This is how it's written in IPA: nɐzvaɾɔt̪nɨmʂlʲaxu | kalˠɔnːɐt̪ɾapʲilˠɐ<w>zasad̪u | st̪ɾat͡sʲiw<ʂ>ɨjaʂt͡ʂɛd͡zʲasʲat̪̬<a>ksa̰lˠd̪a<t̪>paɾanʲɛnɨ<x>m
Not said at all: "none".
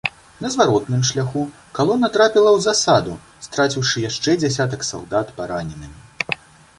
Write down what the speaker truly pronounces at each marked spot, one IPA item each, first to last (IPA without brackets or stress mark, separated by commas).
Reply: w, ʂ, ɐ, t̪, none